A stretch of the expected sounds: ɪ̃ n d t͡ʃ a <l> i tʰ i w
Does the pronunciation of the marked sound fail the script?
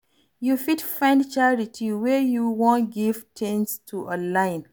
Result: yes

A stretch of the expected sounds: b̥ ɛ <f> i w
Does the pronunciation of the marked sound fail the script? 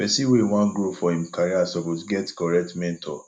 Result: yes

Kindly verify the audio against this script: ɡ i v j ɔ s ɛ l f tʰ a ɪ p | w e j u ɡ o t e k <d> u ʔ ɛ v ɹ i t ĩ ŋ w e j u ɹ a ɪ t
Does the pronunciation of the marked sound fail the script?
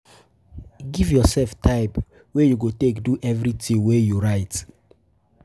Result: no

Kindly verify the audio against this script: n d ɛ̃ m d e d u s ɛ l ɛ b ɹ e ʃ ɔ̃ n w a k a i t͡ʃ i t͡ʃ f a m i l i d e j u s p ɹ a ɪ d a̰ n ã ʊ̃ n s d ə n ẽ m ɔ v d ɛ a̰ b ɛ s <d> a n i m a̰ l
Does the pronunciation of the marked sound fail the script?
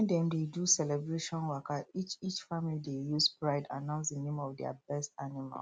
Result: yes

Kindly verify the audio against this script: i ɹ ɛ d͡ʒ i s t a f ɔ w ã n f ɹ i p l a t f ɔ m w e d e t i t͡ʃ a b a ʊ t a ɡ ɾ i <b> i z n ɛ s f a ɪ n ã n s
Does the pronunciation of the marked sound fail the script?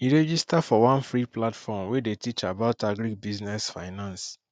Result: no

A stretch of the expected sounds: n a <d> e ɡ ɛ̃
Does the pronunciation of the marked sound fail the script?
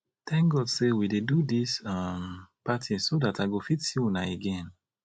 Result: yes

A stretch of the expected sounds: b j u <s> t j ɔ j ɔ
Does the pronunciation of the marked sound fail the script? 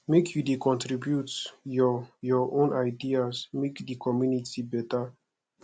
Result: yes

